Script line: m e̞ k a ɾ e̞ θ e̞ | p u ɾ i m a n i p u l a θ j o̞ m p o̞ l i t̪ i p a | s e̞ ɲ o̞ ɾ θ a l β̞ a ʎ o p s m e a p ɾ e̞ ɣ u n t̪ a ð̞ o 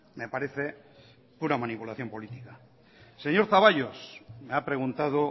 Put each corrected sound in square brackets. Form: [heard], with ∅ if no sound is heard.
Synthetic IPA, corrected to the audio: m e̞ [p] a ɾ e̞ θ e̞ | p u ɾ [a] m a n i p u l a θ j o̞ m p o̞ l i t̪ i [k] a | s e̞ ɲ o̞ ɾ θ a [∅] β̞ a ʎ o [∅] s m e a p ɾ e̞ ɣ u n t̪ a ð̞ o